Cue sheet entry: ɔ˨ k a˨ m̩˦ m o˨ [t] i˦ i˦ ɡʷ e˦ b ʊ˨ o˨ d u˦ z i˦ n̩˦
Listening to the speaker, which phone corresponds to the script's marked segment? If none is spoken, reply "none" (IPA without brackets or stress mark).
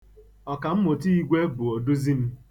t